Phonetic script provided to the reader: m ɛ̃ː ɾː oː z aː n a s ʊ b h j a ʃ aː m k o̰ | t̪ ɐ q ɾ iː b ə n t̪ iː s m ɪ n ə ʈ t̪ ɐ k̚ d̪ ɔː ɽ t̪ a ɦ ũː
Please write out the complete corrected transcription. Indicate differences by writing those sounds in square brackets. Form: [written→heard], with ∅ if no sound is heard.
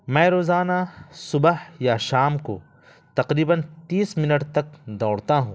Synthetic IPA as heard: m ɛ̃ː [ɾː→ɾ] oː z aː n a s ʊ b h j a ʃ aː m k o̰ | t̪ ɐ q ɾ iː b ə n t̪ iː s m ɪ n ə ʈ t̪ ɐ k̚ d̪ ɔː ɽ t̪ a ɦ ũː